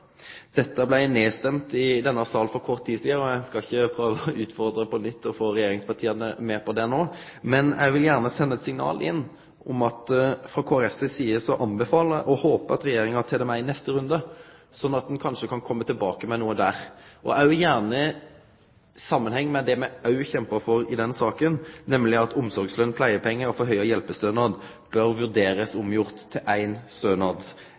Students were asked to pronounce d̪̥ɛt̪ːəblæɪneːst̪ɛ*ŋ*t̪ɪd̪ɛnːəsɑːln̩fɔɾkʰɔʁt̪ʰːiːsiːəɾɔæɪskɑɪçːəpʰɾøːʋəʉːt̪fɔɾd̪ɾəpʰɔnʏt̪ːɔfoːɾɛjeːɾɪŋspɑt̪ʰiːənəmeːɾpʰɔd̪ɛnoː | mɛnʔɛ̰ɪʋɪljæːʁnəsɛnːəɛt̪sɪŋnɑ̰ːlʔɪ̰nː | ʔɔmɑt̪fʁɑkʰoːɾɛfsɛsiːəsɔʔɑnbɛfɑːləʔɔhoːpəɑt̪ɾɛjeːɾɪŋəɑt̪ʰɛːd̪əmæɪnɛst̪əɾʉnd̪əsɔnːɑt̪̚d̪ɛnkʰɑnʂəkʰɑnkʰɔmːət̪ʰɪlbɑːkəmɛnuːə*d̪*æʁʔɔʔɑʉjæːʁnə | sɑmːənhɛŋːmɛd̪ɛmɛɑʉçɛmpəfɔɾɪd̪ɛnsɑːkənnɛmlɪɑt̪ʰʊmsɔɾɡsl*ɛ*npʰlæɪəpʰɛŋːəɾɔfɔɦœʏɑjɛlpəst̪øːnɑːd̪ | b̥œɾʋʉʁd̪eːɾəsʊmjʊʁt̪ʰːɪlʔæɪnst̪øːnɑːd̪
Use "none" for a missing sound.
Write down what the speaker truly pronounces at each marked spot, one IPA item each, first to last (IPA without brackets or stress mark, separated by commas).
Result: m, d̪, œ